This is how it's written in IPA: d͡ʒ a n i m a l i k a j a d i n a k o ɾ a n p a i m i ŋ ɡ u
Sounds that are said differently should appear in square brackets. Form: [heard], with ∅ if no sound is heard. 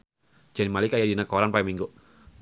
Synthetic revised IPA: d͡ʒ a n i m a l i k a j a d i n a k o ɾ a n p a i m i ŋ ɡ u

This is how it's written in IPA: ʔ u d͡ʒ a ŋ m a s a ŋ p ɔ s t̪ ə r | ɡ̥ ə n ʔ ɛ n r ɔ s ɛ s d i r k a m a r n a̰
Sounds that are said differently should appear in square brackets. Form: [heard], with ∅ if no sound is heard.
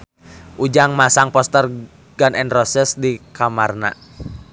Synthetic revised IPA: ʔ u d͡ʒ a ŋ m a s a ŋ p ɔ s t̪ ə r | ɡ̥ [a] n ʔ ɛ n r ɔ s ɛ s d i [∅] k a m a r n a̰

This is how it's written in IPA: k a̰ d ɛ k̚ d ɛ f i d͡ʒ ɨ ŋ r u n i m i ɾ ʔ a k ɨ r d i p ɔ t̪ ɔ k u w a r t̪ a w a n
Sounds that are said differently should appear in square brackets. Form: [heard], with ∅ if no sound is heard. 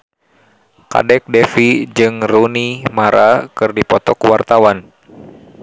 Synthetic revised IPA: k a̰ d ɛ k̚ d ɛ f i d͡ʒ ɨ ŋ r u n i m [a] ɾ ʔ a k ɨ r d i p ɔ t̪ ɔ k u w a r t̪ a w a n

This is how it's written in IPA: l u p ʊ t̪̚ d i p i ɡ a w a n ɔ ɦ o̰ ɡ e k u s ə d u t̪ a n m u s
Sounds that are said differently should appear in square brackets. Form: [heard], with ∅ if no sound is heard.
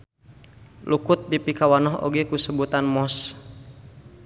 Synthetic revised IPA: l u [k] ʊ t̪̚ d i p i [k] a w a n ɔ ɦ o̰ ɡ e k u s ə [b] u t̪ a n m [ɔ] s

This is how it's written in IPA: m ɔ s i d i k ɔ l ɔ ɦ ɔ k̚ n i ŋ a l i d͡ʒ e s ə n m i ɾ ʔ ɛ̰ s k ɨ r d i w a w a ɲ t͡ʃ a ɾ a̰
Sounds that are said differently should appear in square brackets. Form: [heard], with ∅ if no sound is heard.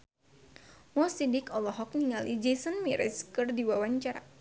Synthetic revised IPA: m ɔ s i d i k ɔ l ɔ ɦ ɔ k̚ n i ŋ a l i d͡ʒ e s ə n m i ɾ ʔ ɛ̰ s k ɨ r d i w a w a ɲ t͡ʃ a ɾ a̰

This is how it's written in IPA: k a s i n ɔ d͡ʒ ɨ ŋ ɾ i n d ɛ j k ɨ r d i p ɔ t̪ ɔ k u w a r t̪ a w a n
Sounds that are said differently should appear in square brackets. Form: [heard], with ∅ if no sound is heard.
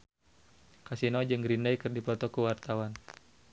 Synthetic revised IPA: k a s i n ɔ d͡ʒ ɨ ŋ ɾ i n d [a] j k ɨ r d i p ɔ t̪ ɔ k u w a r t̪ a w a n

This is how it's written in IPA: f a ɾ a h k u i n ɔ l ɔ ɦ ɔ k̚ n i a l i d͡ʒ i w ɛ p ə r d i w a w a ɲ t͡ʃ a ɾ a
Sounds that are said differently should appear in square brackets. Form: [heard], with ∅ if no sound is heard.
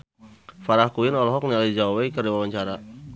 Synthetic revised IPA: f a ɾ a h k u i n ɔ l ɔ ɦ ɔ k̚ n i a l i d͡ʒ [a] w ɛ [k] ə r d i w a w a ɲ t͡ʃ a ɾ a

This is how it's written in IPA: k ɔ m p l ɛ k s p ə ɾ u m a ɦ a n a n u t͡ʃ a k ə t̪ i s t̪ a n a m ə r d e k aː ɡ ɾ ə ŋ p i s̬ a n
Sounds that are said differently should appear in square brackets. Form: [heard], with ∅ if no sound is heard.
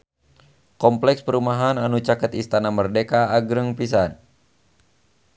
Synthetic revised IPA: k ɔ m p l ɛ k s p ə ɾ u m a ɦ a n a n u t͡ʃ a k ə t̪ i s t̪ a n a m ə r d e k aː ɡ ɾ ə ŋ p i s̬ a n

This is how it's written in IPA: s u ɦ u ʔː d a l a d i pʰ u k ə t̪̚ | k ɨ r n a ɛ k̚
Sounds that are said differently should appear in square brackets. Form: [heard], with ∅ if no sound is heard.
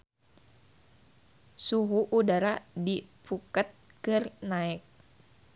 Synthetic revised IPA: s u ɦ u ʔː d a [ɾ] a d i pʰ u k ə t̪̚ | k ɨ r n a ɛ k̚

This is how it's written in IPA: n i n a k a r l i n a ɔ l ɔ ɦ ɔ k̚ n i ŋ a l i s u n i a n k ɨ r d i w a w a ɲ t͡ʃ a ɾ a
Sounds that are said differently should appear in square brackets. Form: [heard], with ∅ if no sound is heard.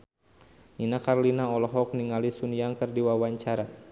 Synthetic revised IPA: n i n a k a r l i n a ɔ l ɔ ɦ ɔ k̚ n i ŋ a l i s u n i a [ŋ] k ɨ r d i w a w a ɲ t͡ʃ a ɾ a

